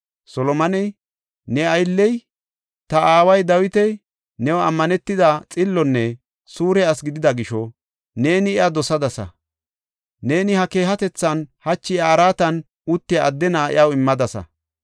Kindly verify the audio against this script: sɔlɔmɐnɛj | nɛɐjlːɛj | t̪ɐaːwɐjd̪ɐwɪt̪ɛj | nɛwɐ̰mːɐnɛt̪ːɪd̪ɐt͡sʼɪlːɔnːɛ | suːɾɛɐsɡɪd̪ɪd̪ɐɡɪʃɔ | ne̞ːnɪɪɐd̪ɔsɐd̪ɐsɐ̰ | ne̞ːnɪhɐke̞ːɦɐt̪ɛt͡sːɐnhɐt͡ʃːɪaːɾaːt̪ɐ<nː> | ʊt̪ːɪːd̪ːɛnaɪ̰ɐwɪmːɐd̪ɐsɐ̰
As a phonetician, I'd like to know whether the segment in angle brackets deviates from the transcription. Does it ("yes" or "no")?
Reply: yes